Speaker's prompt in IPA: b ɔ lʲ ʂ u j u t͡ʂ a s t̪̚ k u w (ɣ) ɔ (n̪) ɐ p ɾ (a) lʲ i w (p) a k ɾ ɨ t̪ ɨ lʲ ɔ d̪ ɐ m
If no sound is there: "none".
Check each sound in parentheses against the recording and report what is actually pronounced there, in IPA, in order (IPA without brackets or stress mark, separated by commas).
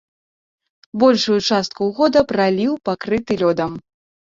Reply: ɣ, d̪, a, p